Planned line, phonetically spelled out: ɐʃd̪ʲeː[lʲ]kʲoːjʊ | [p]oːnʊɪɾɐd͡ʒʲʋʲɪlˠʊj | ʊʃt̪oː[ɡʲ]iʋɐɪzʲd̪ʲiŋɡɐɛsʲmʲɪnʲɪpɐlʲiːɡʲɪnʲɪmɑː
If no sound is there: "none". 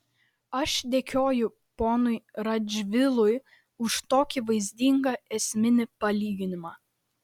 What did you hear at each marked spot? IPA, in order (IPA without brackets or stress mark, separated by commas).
none, p, kʲ